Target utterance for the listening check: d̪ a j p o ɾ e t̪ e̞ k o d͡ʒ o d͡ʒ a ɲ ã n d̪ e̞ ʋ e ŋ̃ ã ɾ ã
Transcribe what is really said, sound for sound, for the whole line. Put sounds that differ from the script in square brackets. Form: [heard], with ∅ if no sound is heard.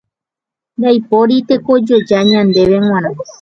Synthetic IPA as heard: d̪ a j p o ɾ [i] t̪ e̞ k o d͡ʒ o d͡ʒ a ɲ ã n d̪ e̞ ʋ e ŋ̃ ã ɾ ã